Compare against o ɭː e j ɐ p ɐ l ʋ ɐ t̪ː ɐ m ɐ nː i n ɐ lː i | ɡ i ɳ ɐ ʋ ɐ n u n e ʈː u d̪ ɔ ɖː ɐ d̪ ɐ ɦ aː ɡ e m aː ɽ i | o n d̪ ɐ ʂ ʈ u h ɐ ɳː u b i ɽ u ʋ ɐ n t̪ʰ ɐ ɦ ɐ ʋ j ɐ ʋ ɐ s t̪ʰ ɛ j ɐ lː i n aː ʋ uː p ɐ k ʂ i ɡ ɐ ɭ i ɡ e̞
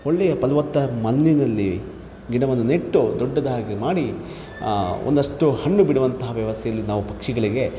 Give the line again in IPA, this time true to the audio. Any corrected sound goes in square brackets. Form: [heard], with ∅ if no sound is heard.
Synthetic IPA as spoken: o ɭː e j ɐ p ɐ l ʋ ɐ t̪ː ɐ m ɐ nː i n ɐ lː i | ɡ i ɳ ɐ ʋ ɐ n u n e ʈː u d̪ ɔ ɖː ɐ d̪ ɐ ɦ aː ɡ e m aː ɽ i | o n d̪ ɐ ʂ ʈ u h ɐ ɳː u b i ɽ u ʋ ɐ n [t̪] ɐ ɦ ɐ ʋ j ɐ ʋ ɐ s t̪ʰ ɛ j ɐ lː i n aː ʋ [u] p ɐ k ʂ i ɡ ɐ ɭ i ɡ e̞